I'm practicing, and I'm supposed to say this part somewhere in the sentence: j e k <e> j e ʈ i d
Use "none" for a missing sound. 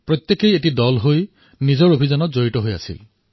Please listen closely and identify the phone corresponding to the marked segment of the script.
e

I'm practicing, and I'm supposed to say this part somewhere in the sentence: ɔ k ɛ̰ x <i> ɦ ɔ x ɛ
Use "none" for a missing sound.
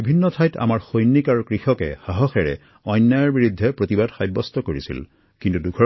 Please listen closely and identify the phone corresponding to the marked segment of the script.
a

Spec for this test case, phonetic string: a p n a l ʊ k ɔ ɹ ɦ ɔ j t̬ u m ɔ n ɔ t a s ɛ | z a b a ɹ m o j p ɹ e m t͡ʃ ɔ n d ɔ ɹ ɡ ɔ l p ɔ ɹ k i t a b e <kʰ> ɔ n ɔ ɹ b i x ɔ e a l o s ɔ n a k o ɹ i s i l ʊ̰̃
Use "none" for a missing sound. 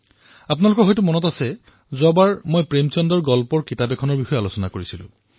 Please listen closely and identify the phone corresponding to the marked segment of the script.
kʰ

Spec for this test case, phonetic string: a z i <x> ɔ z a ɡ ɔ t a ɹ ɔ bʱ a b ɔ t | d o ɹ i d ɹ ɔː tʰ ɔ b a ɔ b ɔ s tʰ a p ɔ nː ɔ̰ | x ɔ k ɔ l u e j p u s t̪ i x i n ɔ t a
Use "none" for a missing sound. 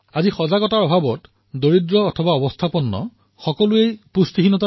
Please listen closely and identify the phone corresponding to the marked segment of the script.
x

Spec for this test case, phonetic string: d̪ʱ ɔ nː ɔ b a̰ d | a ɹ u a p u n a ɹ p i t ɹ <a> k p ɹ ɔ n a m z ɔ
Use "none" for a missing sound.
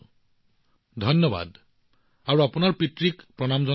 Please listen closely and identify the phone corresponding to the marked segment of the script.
i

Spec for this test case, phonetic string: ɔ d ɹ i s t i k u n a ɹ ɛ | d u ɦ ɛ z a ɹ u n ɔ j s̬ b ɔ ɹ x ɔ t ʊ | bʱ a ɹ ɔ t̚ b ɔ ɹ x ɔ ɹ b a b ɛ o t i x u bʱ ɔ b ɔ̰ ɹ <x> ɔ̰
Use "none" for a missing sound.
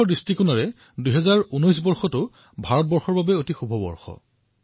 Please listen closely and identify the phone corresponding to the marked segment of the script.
x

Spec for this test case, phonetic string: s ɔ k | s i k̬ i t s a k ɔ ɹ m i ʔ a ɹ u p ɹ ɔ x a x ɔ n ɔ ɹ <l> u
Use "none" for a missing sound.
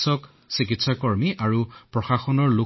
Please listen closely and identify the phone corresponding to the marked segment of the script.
l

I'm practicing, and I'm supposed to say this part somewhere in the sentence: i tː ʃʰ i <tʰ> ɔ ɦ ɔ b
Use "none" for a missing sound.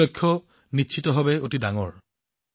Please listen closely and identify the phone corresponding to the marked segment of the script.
t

